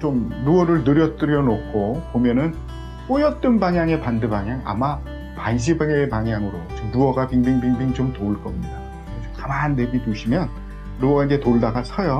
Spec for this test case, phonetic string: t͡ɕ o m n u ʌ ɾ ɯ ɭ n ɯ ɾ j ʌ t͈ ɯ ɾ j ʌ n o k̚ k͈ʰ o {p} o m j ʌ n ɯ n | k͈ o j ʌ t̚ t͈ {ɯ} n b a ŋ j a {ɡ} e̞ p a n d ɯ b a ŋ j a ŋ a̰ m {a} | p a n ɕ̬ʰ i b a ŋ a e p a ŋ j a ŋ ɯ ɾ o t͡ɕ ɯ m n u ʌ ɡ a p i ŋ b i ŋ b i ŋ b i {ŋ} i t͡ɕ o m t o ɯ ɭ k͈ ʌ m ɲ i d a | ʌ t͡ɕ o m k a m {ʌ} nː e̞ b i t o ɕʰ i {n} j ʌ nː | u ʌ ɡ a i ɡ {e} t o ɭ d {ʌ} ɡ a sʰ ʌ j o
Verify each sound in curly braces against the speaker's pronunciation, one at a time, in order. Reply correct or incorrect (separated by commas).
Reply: correct, correct, incorrect, correct, correct, incorrect, incorrect, correct, incorrect